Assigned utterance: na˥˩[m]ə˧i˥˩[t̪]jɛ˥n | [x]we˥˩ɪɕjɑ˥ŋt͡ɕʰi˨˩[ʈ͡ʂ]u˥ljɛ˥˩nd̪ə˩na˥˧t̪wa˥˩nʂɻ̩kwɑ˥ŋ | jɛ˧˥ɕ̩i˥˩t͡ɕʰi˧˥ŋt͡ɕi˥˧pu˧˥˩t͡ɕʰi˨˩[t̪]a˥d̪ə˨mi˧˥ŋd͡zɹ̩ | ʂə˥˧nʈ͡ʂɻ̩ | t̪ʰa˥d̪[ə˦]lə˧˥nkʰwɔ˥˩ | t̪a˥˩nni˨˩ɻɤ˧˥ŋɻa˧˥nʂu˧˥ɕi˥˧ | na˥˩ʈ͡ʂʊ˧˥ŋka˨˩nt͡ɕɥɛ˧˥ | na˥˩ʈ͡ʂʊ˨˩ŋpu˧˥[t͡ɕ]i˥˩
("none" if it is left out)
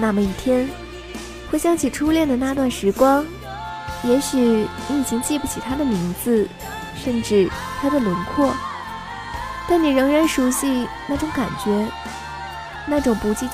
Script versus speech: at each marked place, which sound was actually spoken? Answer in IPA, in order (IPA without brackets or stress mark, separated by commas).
m, t̪ʰ, x, ʈ͡ʂʰ, t̪ʰ, ə˨, t͡ɕ